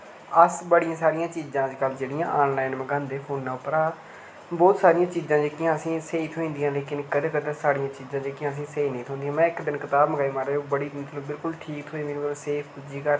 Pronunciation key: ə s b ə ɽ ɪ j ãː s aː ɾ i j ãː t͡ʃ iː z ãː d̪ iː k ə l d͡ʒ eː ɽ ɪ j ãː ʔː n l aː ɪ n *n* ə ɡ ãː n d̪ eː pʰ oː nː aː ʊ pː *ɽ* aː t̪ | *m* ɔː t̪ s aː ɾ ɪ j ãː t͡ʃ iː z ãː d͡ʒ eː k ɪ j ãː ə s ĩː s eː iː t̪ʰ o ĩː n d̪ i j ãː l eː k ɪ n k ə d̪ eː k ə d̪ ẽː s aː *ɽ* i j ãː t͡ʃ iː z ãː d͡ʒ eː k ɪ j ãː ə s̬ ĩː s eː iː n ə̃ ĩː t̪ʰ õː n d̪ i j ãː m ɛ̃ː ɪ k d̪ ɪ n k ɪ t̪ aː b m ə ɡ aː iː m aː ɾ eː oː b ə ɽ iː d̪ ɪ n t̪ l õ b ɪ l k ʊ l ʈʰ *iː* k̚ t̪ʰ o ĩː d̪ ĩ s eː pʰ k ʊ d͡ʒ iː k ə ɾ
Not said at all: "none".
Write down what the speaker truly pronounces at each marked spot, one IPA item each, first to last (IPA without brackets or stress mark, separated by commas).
m, ɾ, b, ɽ, iː